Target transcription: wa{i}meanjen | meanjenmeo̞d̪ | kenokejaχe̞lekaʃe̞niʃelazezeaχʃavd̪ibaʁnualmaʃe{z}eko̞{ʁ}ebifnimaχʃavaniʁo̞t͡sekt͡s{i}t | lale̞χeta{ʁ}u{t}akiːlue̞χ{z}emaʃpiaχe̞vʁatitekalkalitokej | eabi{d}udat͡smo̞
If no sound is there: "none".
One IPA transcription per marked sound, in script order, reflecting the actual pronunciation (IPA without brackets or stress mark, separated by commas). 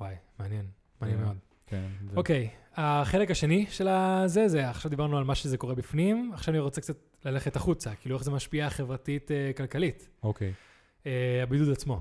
j, z, ʁ, a, χ, t͡s, z, d